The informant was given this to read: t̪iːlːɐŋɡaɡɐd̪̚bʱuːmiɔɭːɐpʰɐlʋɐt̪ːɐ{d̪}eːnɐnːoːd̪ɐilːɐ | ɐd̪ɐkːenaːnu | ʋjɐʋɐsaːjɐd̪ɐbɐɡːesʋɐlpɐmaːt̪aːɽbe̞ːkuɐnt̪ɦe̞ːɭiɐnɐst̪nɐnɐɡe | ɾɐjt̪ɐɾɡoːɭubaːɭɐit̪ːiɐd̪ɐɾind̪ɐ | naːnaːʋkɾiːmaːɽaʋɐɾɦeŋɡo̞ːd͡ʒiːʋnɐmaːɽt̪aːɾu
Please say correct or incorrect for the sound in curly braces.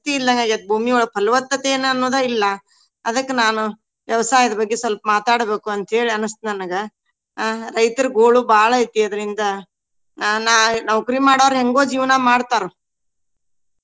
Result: incorrect